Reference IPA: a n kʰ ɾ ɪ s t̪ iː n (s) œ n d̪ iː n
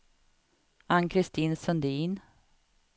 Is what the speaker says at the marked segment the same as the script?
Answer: yes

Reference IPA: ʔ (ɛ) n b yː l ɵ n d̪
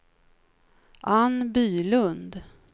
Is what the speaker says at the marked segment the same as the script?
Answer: no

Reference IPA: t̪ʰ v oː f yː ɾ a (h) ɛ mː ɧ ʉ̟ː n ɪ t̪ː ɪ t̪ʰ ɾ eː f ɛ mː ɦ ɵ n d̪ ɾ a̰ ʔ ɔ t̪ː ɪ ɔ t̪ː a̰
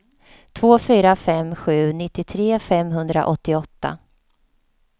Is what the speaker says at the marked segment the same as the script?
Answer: no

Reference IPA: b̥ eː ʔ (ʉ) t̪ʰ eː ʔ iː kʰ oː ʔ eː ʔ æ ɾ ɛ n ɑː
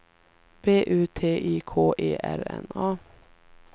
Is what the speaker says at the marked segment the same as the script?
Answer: no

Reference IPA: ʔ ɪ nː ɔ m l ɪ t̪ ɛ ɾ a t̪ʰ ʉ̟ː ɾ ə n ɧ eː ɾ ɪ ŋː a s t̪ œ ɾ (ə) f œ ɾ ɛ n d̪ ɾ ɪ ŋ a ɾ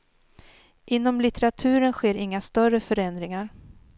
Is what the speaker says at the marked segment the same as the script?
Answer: yes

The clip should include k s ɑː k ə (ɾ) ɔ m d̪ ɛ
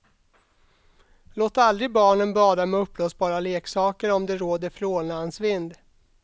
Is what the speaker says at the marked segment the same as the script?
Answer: yes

